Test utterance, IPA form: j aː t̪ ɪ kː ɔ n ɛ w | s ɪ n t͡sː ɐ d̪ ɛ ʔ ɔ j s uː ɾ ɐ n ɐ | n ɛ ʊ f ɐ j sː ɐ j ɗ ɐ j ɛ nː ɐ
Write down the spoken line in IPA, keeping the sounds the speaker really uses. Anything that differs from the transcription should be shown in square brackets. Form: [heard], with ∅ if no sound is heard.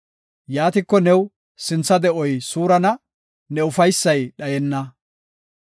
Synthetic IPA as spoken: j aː t̪ ɪ kː ɔ n ɛ w | s ɪ n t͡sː ɐ d̪ ɛ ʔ ɔ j s uː ɾ ɐ n ɐ | n ɛ ʊ f ɐ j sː ɐ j ɗ ɐ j ɛ nː ɐ